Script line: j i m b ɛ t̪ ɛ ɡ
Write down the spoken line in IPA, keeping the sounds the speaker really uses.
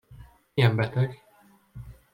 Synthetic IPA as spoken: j ɛ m b ɛ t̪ ɛ ɡ